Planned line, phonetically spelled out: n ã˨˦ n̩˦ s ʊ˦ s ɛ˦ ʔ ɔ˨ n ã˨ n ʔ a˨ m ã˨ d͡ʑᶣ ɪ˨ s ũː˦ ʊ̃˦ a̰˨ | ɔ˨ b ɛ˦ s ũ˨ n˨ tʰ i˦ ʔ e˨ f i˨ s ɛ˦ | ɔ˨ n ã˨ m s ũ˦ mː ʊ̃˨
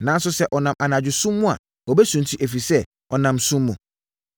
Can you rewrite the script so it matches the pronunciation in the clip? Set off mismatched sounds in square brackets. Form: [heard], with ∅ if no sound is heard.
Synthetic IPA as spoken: n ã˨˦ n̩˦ s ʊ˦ s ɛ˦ ʔ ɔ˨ n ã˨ [m] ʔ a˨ [n] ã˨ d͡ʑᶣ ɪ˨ s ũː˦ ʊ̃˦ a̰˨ | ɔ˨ b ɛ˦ s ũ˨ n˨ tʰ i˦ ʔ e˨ f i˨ s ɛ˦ | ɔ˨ n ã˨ m s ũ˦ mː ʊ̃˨